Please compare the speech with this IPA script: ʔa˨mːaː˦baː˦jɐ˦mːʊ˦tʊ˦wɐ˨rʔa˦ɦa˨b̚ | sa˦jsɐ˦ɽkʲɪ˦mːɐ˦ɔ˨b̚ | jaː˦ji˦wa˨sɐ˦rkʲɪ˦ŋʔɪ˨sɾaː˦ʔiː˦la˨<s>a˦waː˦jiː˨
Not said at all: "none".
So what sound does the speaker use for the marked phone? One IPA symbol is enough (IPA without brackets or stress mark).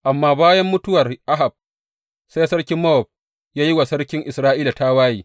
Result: t